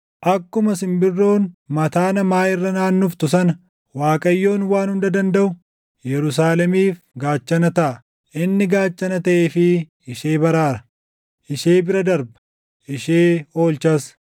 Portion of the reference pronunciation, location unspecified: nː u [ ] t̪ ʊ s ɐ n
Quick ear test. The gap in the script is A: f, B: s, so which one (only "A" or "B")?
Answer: A